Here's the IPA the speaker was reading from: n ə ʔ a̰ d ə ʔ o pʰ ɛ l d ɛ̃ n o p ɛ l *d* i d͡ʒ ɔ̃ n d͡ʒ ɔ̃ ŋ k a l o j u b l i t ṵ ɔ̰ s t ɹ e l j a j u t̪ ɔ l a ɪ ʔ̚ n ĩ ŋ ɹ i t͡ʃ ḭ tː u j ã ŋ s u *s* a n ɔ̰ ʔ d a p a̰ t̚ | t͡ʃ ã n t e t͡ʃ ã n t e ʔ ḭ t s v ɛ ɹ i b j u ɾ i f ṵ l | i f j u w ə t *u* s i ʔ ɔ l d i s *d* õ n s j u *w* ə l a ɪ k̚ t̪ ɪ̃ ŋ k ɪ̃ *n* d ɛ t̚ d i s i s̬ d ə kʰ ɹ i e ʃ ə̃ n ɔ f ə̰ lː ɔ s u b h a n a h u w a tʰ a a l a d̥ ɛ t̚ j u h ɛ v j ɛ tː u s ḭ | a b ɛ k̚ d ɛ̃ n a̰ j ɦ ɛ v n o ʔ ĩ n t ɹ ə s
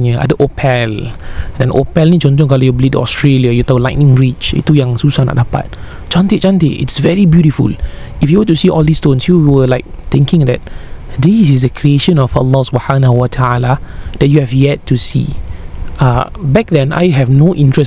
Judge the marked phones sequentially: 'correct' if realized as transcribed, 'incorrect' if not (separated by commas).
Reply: incorrect, correct, correct, incorrect, correct, incorrect